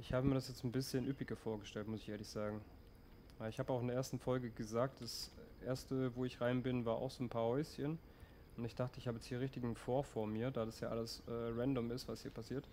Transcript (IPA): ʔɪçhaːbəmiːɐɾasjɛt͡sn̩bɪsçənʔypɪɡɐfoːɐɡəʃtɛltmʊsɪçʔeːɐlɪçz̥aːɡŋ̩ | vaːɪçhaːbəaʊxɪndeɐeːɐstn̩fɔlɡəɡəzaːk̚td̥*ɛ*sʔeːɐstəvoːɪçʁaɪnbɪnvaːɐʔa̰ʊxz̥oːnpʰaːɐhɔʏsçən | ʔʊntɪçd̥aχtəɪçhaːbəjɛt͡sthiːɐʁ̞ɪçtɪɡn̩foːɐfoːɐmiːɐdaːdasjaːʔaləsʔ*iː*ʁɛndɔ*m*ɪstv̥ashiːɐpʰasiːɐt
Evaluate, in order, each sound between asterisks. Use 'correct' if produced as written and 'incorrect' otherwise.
incorrect: a, incorrect: ɛː, correct

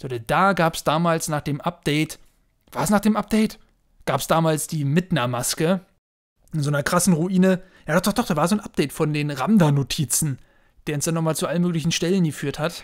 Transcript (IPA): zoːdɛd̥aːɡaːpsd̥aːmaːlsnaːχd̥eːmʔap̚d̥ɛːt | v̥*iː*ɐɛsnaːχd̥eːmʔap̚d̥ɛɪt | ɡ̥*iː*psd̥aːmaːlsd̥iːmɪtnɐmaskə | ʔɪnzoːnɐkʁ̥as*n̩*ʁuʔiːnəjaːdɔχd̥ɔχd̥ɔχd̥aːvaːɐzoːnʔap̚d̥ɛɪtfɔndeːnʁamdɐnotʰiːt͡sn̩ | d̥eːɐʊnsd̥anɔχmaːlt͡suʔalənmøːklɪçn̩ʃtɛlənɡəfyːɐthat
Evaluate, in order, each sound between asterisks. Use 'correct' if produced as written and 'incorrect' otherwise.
incorrect: aː, incorrect: aː, correct

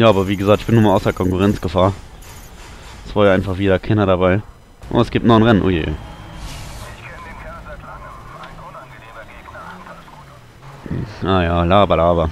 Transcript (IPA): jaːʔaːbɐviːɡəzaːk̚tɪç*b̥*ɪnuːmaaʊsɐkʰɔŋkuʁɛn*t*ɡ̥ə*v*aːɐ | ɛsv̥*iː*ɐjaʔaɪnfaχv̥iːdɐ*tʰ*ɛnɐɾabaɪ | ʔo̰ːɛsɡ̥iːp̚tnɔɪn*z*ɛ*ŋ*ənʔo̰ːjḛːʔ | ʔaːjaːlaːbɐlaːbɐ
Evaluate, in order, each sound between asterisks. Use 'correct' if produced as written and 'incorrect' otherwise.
correct, incorrect: t͡s, incorrect: f, incorrect: aː, incorrect: kʰ, incorrect: ʁ, incorrect: n

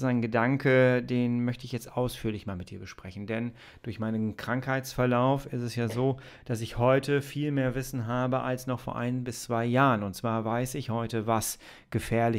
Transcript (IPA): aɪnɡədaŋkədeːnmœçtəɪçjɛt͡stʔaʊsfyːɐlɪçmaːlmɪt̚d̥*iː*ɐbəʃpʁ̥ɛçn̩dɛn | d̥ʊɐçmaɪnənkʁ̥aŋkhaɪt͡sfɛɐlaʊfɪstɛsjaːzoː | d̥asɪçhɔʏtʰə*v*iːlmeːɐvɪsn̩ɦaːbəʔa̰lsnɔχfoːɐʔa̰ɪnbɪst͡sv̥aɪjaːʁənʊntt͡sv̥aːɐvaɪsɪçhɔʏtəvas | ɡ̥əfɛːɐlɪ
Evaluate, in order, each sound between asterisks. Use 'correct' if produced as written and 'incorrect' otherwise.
correct, incorrect: f

